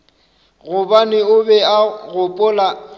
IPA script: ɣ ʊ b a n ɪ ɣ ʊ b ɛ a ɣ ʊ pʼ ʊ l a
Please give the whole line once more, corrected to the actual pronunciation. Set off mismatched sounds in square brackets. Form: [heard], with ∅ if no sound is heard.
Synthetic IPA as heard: ɣ ʊ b a n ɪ [∅] ʊ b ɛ a ɣ ʊ pʼ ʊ l a